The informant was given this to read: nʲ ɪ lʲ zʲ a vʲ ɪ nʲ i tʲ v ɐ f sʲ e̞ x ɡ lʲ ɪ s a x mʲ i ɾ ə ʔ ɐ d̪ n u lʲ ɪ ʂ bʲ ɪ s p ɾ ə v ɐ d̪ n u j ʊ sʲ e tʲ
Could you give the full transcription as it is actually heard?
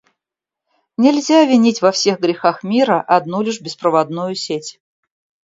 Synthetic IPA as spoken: nʲ ɪ lʲ zʲ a vʲ ɪ nʲ i tʲ v ɐ f sʲ e̞ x ɡ ɾʲ ɪ x a x mʲ i ɾ ə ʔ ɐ d̪ n u lʲ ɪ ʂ bʲ ɪ s p ɾ ə v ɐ d̪ n u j ʊ sʲ e tʲ